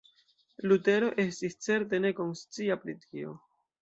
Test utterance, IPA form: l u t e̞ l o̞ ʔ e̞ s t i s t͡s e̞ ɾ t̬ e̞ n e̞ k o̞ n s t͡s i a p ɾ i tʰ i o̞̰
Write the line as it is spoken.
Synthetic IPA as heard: l u t e̞ ɾ o̞ ʔ e̞ s t i s t͡s e̞ ɾ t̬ e̞ n e̞ k o̞ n s t͡s i a p ɾ i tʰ i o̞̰